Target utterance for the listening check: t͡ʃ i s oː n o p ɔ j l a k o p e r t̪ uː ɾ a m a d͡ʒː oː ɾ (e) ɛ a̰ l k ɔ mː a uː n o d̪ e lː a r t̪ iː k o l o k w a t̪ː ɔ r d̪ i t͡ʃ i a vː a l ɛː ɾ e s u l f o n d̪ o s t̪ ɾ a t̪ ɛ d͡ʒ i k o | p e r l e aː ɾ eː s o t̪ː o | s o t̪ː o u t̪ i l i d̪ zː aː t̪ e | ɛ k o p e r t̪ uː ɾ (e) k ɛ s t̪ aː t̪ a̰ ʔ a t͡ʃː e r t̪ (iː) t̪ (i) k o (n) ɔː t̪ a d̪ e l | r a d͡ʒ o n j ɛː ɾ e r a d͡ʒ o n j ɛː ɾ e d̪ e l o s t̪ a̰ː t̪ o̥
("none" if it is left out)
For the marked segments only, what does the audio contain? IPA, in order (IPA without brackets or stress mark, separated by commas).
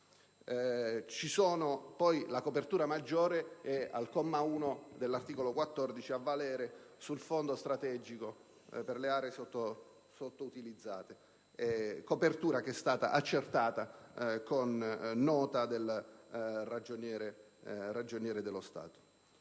e, a, aː, a, nː